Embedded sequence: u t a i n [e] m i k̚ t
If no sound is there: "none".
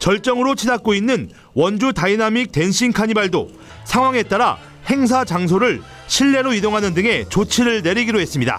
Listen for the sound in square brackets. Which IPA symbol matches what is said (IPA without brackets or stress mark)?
a